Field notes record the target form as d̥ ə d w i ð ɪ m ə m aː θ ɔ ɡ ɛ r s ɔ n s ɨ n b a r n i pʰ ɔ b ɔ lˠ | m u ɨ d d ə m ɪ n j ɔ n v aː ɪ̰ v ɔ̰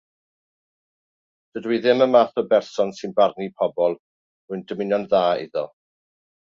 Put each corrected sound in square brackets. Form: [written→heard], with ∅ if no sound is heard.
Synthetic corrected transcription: d̥ ə d w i ð ɪ m ə m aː θ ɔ [ɡ→b] ɛ r s ɔ n s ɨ n b a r n i pʰ ɔ b ɔ lˠ | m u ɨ [d→n] d ə m ɪ n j ɔ n [v→ð] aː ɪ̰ [v→ð] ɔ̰